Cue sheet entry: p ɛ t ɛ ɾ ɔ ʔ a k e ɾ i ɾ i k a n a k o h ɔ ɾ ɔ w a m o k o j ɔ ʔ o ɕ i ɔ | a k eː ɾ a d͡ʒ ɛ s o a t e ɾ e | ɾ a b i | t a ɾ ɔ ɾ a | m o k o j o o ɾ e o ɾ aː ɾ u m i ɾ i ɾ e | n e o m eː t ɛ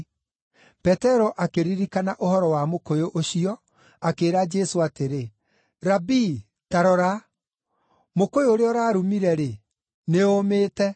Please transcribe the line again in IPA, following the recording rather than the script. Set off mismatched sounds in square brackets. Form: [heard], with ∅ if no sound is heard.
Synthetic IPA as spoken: p ɛ t ɛ ɾ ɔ ʔ a k e ɾ i ɾ i k a n a [ʔ] o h ɔ ɾ ɔ w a m o k o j [o] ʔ o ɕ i ɔ | a k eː ɾ a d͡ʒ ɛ s o a t e ɾ e | ɾ a b i | t a ɾ ɔ ɾ a | m o k o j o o ɾ e [ɔ] ɾ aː ɾ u m i ɾ [ɛ] ɾ e | n e o m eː t ɛ